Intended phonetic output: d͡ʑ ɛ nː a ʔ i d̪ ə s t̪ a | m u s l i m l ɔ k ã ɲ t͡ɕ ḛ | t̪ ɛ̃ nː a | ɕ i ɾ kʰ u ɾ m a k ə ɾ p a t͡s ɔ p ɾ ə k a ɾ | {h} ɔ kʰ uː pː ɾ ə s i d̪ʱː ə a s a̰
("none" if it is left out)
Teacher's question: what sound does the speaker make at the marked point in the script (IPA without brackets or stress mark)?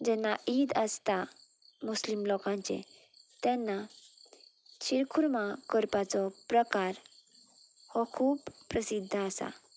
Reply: h